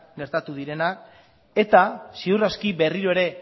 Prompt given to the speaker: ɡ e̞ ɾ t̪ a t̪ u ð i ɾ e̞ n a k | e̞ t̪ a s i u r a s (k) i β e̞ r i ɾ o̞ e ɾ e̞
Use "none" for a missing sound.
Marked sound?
k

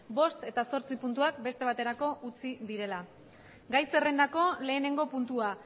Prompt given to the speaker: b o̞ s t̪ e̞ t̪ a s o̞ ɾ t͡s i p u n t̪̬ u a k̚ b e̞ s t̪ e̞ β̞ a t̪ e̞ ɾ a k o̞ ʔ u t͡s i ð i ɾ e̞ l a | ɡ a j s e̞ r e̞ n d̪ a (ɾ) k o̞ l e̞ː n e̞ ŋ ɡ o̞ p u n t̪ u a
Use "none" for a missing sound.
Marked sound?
none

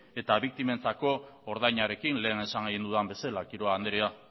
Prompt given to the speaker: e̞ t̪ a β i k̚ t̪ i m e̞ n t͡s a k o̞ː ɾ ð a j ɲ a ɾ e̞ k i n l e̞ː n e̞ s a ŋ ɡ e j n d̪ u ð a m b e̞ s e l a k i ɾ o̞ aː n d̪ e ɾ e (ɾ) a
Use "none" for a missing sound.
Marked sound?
none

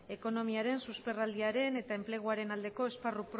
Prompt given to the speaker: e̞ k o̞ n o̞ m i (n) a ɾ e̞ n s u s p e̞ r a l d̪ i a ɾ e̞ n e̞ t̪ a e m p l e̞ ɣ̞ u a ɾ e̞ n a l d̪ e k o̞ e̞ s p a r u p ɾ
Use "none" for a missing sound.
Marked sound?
none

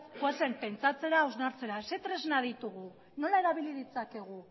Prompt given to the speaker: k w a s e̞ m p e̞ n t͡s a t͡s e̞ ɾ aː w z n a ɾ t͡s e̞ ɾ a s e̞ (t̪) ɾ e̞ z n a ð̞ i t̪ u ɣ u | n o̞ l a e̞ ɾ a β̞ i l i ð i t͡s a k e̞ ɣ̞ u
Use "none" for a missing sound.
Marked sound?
t̪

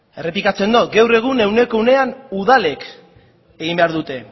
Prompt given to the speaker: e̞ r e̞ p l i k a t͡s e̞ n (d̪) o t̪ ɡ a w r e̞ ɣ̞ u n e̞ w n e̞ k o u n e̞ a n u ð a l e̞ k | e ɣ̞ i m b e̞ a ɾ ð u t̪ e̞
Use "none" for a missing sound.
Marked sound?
d̪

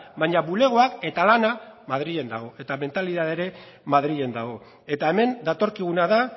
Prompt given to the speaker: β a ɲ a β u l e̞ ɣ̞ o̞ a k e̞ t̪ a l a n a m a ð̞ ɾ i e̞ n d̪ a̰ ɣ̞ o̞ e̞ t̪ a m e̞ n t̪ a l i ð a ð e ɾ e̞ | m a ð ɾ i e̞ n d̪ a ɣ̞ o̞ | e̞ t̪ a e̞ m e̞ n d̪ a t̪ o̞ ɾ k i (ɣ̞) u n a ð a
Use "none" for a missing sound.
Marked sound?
ɣ̞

